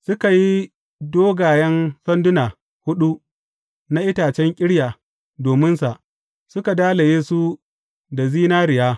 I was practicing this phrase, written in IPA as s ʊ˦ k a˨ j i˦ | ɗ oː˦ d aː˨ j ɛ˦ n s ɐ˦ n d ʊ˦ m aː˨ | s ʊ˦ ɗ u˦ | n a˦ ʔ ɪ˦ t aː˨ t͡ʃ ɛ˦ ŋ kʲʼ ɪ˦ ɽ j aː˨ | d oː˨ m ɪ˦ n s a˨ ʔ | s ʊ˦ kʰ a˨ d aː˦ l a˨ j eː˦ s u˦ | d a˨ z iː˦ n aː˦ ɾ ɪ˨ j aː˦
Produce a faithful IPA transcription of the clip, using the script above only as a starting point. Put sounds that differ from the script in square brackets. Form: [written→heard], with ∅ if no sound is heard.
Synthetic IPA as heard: s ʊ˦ k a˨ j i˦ | [ɗ→d] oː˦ [d→ɡ] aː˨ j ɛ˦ n s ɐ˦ n d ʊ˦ [m→n] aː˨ | [s→h] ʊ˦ ɗ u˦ | n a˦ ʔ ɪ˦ t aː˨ t͡ʃ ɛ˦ ŋ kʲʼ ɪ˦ ɽ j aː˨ | d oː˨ m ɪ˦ n s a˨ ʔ | s ʊ˦ [kʰ→k] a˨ d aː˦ l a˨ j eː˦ s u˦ | d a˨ z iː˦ n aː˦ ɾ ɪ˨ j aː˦